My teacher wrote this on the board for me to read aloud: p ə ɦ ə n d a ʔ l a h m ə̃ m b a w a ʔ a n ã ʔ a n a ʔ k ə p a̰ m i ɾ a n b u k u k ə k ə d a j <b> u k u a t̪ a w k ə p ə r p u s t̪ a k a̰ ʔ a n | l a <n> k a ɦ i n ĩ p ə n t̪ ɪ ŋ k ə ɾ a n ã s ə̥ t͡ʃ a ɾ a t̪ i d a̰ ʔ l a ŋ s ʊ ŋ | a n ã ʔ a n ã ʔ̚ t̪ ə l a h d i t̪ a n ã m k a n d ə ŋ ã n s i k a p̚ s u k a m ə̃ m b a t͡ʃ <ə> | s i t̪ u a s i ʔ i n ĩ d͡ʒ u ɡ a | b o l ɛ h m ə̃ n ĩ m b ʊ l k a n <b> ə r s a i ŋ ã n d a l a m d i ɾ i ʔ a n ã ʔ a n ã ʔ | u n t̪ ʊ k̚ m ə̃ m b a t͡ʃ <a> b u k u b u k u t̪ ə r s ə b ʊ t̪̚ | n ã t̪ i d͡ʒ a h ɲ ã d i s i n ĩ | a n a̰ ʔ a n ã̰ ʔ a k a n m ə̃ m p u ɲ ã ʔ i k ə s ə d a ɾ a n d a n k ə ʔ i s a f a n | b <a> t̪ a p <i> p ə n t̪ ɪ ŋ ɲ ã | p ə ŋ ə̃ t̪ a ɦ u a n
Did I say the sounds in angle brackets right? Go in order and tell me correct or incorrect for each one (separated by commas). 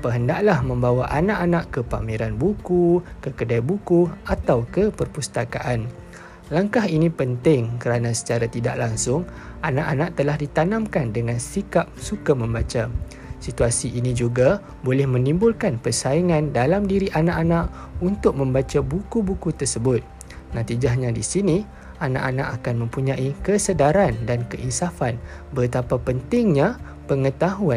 correct, incorrect, incorrect, incorrect, correct, incorrect, incorrect